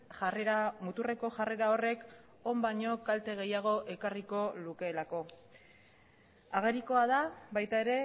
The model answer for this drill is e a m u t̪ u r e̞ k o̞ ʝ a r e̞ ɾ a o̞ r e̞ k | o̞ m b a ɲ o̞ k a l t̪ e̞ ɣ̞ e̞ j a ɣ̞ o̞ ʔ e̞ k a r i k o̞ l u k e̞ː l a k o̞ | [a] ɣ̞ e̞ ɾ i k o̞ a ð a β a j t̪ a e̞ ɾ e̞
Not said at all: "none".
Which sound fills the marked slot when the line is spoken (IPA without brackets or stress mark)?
a